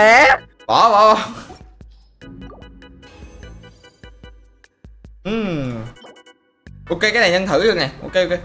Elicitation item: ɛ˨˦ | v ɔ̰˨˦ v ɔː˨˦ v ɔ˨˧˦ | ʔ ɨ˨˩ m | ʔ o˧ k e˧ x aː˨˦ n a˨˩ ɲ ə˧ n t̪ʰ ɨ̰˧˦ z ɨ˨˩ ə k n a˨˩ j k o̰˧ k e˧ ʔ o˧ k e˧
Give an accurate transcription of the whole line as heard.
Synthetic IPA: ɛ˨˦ | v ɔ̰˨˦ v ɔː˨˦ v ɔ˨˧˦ | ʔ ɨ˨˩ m | ʔ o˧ k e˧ k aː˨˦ n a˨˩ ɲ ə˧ n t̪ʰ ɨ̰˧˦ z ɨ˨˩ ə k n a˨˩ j ʔ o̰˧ k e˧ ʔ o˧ k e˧

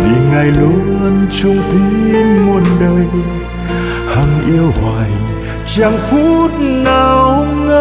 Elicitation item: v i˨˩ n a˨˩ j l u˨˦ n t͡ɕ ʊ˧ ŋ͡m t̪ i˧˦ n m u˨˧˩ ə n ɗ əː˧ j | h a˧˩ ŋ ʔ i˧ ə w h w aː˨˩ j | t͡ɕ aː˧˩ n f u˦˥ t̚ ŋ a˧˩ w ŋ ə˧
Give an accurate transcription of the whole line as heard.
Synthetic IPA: v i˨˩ ŋ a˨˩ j l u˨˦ n t͡ɕ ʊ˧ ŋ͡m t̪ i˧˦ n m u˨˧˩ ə n ɗ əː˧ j | h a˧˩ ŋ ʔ i˧ ə w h w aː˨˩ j | t͡ɕ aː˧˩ ŋ f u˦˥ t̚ n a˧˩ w ŋ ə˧

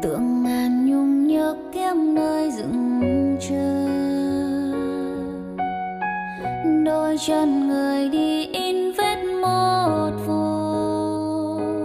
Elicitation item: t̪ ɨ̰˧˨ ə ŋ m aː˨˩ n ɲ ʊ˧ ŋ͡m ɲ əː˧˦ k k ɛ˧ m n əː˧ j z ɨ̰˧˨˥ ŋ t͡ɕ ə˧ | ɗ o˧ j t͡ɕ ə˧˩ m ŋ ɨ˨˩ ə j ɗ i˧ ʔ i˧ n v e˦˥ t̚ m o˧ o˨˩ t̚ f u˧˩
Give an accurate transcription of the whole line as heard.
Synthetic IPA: t̪ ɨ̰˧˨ ə ŋ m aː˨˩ n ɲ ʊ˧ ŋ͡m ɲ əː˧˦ k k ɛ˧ m n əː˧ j z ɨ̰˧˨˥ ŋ t͡ɕ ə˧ | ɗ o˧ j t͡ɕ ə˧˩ n ŋ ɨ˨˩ ə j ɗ i˧ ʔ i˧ n v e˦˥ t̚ m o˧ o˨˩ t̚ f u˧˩

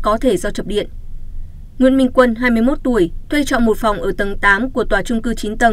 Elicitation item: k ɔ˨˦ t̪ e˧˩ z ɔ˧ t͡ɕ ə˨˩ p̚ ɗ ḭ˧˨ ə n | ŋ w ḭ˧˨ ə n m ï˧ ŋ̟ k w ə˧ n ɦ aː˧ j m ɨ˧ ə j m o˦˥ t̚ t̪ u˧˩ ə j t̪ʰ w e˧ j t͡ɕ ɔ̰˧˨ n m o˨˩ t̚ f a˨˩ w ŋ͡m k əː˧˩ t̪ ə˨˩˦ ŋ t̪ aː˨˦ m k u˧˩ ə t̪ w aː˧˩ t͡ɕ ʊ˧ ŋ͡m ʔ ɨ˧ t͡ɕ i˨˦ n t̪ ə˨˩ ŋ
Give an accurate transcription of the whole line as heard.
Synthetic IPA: k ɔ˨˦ t̪ʰ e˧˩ z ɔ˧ t͡ɕ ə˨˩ p̚ ɗ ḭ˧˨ ə n | ŋ w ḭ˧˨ ə n m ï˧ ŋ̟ k w ə˧ n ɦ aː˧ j m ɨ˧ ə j m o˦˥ t̚ t̪ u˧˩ ə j t̪ʰ w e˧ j t͡ɕ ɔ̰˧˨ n m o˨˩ t̚ f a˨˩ w ŋ͡m ʔ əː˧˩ t̪ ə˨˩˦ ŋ t̪ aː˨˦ m k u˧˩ ə t̪ w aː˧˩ t͡ɕ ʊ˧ ŋ͡m k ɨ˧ t͡ɕ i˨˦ n t̪ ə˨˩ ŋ

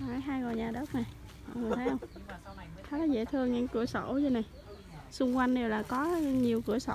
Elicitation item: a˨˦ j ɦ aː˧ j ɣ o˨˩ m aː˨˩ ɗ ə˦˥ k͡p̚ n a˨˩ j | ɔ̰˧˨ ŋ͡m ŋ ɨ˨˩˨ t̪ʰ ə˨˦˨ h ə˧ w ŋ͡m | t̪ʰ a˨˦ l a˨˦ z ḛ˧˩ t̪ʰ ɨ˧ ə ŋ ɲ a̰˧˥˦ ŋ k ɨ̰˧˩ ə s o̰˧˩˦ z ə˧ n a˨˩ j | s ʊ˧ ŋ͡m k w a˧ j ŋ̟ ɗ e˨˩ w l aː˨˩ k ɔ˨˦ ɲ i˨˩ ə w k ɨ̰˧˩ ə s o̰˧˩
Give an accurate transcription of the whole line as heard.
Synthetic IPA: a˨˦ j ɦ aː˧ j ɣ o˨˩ ɲ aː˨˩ ɗ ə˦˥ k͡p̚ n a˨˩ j | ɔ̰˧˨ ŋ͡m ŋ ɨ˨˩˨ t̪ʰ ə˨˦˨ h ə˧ w ŋ͡m | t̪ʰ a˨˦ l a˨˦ z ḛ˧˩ t̪ʰ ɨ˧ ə ŋ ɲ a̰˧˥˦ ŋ k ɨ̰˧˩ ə s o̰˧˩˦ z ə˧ n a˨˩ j | s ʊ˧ ŋ͡m k w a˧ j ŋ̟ ɗ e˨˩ w l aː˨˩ k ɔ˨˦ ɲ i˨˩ ə w k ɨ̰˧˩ ə s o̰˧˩

